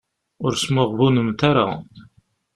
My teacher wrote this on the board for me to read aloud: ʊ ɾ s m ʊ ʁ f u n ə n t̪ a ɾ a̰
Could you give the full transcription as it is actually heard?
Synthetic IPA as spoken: ʊ ɾ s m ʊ ʁ v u n ə m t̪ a ɾ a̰